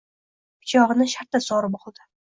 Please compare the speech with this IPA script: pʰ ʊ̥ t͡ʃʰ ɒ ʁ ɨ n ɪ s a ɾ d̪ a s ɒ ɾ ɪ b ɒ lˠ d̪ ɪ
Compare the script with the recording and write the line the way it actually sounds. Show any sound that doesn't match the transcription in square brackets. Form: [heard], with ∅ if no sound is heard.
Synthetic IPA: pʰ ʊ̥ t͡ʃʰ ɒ ʁ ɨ n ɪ [ʃ] a ɾ [t̪] a s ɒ ɾ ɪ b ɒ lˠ d̪ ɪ